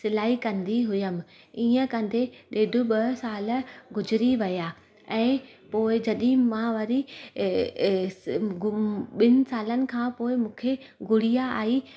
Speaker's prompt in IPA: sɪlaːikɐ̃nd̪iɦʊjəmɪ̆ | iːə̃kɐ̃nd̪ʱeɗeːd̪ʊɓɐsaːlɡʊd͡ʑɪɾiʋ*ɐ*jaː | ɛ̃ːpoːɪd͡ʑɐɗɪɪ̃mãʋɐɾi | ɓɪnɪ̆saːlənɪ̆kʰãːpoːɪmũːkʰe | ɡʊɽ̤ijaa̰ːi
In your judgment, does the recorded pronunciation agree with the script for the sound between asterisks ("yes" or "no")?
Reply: yes